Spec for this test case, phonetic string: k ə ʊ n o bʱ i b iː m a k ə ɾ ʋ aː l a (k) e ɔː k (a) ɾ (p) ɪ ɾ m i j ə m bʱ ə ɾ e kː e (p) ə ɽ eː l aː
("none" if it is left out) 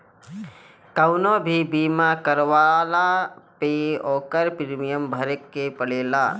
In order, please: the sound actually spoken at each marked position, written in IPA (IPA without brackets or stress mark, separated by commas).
p, ə, p, p